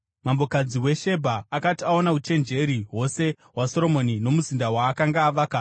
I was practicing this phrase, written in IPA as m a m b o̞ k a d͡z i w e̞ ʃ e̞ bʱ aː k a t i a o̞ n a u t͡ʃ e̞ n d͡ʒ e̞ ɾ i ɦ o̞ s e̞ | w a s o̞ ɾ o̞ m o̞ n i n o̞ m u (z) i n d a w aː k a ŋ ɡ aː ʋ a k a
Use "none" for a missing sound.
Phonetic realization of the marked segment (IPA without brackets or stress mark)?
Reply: z